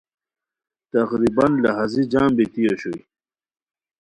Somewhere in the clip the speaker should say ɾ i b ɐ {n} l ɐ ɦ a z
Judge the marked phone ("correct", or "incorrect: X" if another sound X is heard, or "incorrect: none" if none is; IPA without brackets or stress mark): correct